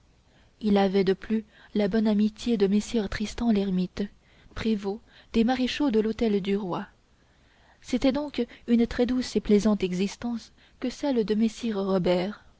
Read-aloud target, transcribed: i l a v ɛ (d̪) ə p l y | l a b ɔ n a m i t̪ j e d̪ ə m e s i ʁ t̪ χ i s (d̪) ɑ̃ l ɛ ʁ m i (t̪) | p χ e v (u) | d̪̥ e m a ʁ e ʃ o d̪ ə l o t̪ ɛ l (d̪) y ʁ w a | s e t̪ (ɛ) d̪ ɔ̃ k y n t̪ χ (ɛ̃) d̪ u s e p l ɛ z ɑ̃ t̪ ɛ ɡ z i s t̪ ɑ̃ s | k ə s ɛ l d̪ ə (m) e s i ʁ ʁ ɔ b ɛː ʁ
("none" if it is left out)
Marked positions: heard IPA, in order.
d̪, t̪, t̪, o, d̪, ɛ, ɛ, m

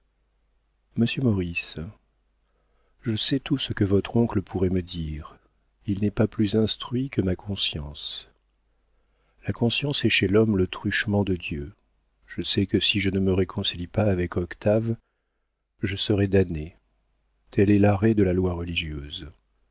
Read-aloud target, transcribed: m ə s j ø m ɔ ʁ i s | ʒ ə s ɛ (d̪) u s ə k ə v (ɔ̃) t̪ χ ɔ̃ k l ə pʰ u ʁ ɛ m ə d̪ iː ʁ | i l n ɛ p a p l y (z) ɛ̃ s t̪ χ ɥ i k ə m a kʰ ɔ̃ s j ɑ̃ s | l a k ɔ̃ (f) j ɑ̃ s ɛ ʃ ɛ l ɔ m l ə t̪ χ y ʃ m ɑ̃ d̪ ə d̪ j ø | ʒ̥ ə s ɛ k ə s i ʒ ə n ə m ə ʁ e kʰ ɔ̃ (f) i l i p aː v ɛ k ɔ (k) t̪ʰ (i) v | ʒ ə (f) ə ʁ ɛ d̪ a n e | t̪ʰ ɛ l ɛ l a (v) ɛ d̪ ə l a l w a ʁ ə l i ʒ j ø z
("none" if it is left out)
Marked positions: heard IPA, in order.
t̪, ɔ, z, s, s, k, a, s, ʁ

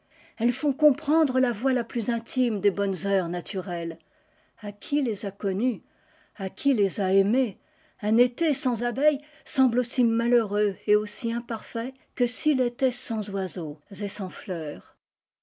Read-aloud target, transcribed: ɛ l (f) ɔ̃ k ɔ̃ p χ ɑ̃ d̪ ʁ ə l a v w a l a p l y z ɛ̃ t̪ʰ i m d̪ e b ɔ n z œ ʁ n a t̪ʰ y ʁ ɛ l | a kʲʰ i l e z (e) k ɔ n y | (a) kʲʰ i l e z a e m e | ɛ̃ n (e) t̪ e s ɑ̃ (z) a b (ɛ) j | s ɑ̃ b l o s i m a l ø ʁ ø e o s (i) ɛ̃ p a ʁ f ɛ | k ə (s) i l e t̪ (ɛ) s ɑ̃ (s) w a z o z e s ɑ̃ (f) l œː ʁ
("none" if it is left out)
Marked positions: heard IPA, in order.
f, a, a, e, z, ɛ, i, s, ɛ, z, f

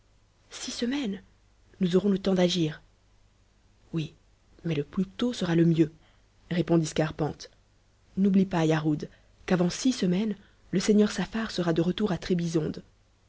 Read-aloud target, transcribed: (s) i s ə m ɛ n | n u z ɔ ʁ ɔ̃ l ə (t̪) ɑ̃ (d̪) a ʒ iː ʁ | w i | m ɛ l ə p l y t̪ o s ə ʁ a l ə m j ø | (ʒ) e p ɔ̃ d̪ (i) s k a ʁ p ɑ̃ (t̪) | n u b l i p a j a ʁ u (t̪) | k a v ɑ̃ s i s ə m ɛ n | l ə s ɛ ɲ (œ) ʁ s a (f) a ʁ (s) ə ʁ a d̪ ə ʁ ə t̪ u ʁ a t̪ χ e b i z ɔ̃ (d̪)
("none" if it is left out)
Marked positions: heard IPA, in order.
s, t̪, d̪, ʁ, i, t̪, d̪, œ, f, s, d̪

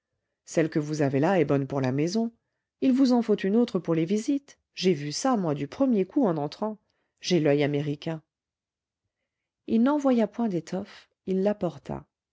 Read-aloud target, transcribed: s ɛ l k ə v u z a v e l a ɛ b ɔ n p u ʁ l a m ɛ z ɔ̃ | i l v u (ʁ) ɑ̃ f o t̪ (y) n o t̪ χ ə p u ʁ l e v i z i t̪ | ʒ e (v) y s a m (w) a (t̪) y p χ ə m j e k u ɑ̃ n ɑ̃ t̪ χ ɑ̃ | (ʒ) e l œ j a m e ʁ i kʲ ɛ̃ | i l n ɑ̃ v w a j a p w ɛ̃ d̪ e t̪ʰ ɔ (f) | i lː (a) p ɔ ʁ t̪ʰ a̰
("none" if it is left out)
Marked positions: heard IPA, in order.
z, y, v, w, d̪, ʒ, f, a

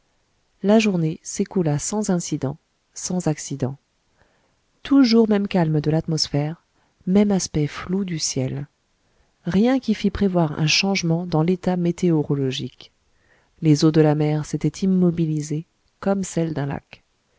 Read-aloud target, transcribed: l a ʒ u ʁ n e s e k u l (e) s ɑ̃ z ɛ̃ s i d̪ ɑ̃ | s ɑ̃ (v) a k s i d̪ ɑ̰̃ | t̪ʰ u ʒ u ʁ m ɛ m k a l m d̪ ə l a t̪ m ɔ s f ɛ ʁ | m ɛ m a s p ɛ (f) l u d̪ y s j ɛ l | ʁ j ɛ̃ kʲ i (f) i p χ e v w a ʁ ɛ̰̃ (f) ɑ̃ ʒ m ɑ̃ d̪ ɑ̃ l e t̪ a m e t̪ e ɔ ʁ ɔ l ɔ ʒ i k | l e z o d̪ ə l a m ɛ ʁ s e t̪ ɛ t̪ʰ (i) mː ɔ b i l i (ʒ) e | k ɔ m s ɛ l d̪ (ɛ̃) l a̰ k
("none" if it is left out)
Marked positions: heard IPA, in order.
a, z, f, f, ʃ, i, z, ɛ̃

